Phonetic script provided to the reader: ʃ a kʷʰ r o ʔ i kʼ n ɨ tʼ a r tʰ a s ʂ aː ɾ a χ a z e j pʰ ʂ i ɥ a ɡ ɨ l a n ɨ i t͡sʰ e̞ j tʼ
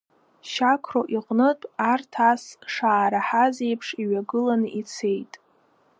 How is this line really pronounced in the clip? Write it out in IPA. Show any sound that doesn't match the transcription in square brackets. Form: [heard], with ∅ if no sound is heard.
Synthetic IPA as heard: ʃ a kʷʰ r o ʔ i [qʼ] n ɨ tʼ a r tʰ a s ʂ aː ɾ a [ħ] a z e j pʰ ʂ i ɥ a ɡ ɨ l a n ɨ i t͡sʰ e̞ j tʼ